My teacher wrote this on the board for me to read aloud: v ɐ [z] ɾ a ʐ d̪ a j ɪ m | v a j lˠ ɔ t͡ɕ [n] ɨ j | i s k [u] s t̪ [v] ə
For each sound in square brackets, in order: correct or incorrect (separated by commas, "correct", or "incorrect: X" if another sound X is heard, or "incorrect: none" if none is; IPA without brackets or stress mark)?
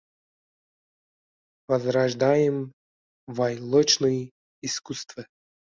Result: correct, correct, correct, correct